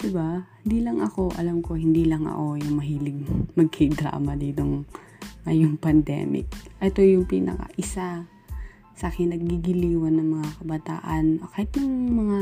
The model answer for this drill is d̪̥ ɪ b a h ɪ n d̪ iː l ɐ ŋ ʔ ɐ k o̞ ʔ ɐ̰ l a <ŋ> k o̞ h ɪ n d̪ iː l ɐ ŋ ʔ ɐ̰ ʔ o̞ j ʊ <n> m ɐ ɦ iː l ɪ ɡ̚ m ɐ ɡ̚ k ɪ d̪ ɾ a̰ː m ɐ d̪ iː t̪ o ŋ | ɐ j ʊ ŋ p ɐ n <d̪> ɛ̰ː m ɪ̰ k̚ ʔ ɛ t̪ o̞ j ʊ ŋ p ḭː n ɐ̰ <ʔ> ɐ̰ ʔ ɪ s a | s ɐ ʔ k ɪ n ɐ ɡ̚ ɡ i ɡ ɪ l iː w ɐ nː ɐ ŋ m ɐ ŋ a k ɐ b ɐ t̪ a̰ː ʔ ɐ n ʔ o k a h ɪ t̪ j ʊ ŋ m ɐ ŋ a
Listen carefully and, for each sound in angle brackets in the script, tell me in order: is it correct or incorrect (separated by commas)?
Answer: incorrect, incorrect, correct, incorrect